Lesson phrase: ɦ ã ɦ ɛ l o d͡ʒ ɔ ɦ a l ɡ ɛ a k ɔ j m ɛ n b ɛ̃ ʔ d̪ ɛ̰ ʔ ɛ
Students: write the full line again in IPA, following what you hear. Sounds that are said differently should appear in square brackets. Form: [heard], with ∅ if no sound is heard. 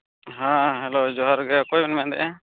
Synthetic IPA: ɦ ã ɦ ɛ l o d͡ʒ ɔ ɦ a [ɾ] ɡ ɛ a k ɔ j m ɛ n [m] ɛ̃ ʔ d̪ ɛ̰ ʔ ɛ